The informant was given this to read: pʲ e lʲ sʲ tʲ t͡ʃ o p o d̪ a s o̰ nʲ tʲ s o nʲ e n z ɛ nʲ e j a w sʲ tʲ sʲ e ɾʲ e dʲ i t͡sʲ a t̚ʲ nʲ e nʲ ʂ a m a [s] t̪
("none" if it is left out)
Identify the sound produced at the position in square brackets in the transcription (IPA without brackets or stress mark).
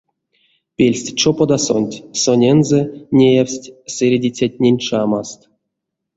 s